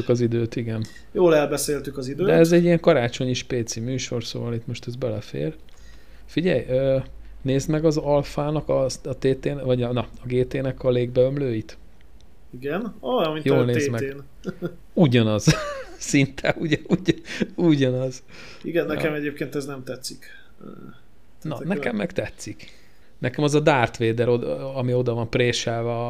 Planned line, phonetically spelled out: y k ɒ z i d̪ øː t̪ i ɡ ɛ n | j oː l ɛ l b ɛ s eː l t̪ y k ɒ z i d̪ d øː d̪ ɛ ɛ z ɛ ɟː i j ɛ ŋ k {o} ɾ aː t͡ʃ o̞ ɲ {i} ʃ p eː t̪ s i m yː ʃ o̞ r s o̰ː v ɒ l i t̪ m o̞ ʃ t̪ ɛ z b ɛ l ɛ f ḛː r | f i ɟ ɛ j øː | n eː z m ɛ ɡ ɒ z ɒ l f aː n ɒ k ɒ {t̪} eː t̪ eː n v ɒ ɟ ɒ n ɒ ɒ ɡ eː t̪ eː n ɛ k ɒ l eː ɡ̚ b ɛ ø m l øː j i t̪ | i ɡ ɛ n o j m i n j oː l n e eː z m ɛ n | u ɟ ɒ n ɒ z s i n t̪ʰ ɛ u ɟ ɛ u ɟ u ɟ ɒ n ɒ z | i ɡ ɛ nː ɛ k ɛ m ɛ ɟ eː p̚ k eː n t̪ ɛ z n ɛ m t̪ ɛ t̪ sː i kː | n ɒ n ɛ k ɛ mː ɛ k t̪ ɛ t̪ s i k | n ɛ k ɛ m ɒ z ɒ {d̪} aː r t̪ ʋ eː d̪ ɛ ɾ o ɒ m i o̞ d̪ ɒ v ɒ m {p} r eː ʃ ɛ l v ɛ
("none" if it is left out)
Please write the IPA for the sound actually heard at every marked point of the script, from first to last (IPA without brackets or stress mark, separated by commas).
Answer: ɒ, i, t̪, d̪, p